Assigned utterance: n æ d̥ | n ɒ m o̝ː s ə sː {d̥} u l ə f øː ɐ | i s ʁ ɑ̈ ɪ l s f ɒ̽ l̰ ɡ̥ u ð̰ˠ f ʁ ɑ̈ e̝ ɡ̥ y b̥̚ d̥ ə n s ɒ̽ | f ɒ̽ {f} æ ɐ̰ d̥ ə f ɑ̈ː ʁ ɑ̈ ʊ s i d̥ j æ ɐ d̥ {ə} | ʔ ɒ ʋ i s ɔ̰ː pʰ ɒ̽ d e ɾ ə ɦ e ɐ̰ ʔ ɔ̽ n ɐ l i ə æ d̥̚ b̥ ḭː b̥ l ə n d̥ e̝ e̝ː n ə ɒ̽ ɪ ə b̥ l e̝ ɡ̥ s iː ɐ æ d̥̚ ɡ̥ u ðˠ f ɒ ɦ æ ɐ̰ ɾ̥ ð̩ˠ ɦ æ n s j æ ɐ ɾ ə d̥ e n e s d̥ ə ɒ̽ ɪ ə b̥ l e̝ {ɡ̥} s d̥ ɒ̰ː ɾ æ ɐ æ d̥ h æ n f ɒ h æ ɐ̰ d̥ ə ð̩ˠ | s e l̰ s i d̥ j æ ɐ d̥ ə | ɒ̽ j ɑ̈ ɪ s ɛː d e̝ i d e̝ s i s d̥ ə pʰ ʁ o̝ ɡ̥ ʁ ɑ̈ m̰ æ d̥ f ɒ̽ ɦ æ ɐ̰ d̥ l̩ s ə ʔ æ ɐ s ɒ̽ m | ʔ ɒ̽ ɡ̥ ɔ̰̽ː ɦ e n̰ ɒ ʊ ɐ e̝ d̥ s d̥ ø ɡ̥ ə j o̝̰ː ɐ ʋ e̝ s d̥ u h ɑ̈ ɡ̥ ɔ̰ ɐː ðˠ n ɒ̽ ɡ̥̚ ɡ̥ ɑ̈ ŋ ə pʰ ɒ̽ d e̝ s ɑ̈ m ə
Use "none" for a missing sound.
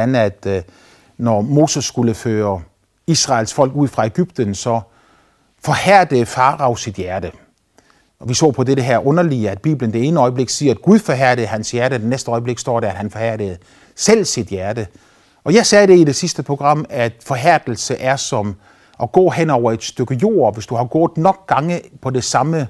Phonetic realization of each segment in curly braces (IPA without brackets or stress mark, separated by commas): ɡ̥, h, ə, ɡ̥